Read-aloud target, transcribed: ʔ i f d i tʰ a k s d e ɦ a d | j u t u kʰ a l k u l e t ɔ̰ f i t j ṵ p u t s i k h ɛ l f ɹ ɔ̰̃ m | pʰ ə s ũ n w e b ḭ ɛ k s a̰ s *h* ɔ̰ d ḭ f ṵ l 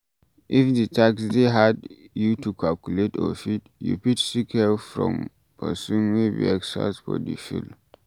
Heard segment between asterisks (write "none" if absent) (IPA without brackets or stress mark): f